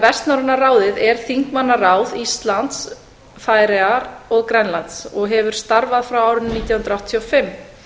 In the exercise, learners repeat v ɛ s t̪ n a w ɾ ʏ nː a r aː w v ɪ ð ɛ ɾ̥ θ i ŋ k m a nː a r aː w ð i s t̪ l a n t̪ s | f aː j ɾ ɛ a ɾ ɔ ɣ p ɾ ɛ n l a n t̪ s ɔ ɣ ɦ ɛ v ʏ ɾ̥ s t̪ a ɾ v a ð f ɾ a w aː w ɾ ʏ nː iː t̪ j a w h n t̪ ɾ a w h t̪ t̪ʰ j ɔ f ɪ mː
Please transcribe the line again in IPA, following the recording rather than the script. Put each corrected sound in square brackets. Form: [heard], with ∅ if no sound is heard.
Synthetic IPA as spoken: v ɛ s t̪ n a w ɾ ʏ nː a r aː w [ð] ɪ ð ɛ ɾ̥ θ i ŋ k m a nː a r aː w ð i s t̪ l a n t̪ s | f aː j ɾ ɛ a ɾ ɔ ɣ [k] ɾ ɛ n l a n t̪ s ɔ ɣ ɦ ɛ v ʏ ɾ̥ s t̪ a ɾ v a ð f ɾ a w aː w ɾ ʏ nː iː t̪ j a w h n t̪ ɾ a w h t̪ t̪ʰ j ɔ f ɪ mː